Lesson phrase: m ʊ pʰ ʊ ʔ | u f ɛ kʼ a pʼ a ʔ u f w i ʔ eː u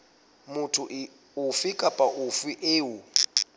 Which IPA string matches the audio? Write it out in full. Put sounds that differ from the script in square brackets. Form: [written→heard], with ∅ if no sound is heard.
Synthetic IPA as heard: m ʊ [pʰ→tʰ] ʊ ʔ | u f [ɛ→i] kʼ a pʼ a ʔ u f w i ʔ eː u